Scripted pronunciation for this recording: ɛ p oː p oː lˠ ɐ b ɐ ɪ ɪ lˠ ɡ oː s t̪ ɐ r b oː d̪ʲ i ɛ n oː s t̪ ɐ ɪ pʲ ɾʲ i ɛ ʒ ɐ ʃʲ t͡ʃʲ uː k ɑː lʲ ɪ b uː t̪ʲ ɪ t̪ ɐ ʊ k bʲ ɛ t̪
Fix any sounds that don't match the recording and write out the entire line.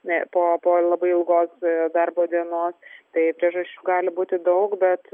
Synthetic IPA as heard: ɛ p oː p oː lˠ ɐ b ɐ ɪ ɪ lˠ ɡ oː s d̪ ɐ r b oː d̪ʲ i ɛ n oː s t̪ ɐ ɪ pʲ ɾʲ i ɛ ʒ ɐ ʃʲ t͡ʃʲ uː ɡ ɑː lʲ ɪ b uː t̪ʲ ɪ d̪ ɐ ʊ k bʲ ɛ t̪